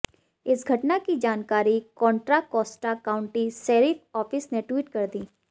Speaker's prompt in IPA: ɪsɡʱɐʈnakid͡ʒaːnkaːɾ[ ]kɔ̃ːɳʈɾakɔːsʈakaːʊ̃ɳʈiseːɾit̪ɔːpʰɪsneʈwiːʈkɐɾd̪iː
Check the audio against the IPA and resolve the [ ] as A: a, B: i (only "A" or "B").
B